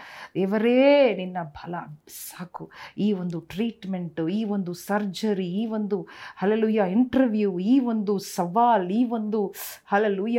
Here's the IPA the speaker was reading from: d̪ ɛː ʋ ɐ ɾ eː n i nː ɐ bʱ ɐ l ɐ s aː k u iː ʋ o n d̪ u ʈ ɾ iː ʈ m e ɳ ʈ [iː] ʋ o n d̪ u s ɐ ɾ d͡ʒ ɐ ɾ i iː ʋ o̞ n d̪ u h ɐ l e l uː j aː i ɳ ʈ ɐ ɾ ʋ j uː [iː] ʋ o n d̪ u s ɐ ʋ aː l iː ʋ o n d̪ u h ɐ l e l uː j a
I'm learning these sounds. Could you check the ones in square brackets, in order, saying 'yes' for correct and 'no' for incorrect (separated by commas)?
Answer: yes, yes